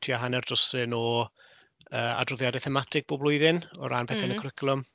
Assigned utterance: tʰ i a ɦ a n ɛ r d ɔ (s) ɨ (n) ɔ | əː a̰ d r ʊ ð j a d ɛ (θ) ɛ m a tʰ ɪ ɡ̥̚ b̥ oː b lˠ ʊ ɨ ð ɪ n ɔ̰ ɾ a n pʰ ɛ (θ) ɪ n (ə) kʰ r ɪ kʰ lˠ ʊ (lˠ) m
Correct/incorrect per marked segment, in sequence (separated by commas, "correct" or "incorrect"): correct, correct, correct, correct, correct, incorrect